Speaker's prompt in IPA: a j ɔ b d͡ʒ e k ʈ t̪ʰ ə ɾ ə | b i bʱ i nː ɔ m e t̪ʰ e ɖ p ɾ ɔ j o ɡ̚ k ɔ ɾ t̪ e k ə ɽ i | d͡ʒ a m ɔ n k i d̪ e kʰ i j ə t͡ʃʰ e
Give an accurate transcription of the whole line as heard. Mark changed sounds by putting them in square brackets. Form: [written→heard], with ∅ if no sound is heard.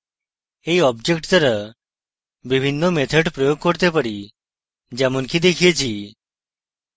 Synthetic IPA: [a→e] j ɔ b d͡ʒ e k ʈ [t̪ʰ→t̪] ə ɾ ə | b i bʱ i nː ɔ m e t̪ʰ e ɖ p ɾ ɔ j o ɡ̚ k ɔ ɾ t̪ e [k→p] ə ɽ i | d͡ʒ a m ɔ n k i d̪ e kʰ i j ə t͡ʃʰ [e→i]

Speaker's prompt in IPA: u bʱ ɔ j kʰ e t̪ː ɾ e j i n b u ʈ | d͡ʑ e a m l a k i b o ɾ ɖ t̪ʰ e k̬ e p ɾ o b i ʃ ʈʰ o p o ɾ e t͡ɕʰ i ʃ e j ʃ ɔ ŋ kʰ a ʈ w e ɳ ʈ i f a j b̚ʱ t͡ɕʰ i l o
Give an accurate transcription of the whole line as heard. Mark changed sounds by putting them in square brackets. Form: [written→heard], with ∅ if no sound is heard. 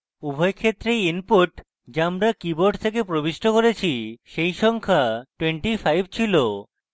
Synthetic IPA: u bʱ ɔ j kʰ e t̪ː ɾ e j i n [b→p] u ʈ | d͡ʑ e a m [l→ɾ] a k i b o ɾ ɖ t̪ʰ e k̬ e p ɾ o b i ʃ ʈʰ o [p→k] o ɾ e t͡ɕʰ i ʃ e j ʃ ɔ ŋ kʰ a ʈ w e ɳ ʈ i f a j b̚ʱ t͡ɕʰ i l o

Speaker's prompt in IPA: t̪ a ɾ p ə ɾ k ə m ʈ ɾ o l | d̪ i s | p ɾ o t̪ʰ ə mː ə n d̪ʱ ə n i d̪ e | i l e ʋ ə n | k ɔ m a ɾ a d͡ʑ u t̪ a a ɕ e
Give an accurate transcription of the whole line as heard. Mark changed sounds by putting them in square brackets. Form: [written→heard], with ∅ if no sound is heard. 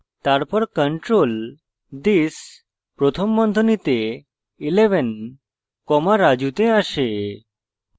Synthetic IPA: t̪ a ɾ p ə ɾ k ə [m→ɳ] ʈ ɾ o l | d̪ i s | p ɾ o t̪ʰ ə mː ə n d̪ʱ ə n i [d̪→t̪] e | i l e ʋ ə n | k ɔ m a ɾ a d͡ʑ u t̪ [a→e] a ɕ e

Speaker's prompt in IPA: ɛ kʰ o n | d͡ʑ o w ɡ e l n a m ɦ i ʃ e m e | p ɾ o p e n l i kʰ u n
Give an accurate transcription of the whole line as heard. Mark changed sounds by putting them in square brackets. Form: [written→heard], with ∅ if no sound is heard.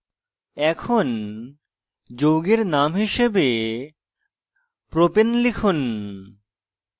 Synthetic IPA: ɛ kʰ o n | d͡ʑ o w ɡ e [l→ɾ] n a m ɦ i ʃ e [m→b] e | p ɾ o p e n l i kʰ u n

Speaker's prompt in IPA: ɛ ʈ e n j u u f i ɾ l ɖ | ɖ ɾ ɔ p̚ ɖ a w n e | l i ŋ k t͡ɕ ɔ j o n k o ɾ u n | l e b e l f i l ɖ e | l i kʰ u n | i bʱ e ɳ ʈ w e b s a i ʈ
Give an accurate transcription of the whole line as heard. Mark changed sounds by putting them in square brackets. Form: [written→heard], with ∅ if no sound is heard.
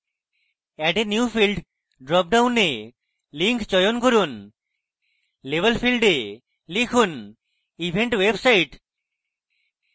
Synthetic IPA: ɛ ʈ e n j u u f i [ɾ→∅] l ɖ | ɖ ɾ ɔ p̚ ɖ a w n e | l i ŋ k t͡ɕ ɔ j o n k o ɾ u n | l e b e l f i l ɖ e | l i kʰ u n | i bʱ e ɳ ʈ w e b s a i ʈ

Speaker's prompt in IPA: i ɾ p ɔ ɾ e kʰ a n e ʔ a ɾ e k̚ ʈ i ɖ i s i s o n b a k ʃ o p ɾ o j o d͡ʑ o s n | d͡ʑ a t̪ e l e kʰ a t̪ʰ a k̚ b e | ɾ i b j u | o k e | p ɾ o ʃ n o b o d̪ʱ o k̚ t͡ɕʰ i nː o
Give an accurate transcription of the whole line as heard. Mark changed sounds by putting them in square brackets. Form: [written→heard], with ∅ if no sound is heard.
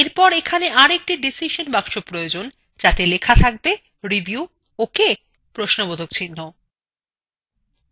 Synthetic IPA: [i→e] ɾ p ɔ ɾ e kʰ a n e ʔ a ɾ e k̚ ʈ i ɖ i s i [s→ʃ] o n b a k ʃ o p ɾ o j o d͡ʑ o [s→∅] n | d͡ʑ a t̪ e l e kʰ a t̪ʰ a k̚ b e | ɾ i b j u | o k e | p ɾ o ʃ n o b o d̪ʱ o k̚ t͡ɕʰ i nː o

